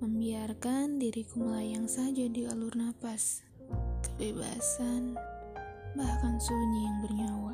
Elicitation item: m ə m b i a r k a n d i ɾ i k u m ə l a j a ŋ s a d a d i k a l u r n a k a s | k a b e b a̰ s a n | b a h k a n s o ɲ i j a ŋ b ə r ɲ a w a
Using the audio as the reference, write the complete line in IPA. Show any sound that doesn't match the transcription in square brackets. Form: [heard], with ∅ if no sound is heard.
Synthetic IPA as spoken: m ə m b i a r k a n d i ɾ i k u m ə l a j a ŋ s a [d͡ʒ] a d i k a l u r n a [p] a s | k [ə] b e b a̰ s a n | b a h k a n s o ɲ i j a ŋ b ə r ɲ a w a